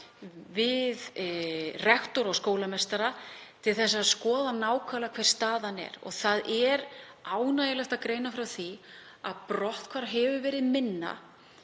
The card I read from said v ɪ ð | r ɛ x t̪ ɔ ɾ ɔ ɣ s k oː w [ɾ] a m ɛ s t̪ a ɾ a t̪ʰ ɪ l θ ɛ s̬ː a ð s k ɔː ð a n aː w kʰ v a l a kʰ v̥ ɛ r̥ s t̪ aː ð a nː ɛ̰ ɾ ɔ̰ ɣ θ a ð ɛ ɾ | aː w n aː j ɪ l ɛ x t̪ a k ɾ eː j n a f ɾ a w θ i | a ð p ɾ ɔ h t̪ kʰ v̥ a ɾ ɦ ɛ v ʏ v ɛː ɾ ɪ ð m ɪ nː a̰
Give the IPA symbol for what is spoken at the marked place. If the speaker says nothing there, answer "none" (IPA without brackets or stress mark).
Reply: l